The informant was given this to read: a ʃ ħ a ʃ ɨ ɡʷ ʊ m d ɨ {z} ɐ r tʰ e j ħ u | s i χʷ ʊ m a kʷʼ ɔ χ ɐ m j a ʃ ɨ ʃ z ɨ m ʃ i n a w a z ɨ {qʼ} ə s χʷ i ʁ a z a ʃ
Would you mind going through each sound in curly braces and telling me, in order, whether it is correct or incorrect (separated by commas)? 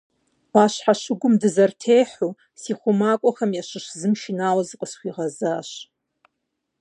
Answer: correct, correct